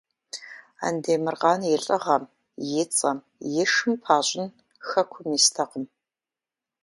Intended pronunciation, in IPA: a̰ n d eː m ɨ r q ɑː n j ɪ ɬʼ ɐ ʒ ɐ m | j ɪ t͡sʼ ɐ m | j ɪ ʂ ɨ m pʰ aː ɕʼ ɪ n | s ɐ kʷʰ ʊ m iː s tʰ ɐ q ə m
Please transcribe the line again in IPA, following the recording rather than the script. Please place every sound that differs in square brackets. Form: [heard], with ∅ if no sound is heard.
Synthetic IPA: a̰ n d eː m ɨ r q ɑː n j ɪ ɬʼ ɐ [ʁ] ɐ m | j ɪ t͡sʼ ɐ m | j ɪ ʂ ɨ m pʰ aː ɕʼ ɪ n | [x] ɐ kʷʰ ʊ m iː s tʰ ɐ q ə m